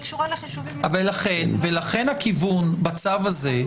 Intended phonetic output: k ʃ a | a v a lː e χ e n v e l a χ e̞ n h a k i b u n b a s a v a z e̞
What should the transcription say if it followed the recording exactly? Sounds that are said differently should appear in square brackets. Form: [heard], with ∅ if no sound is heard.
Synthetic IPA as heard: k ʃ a | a v a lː [a] χ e n v e l a χ e̞ n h a k i [v] u n b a [t͡s] a v a z e̞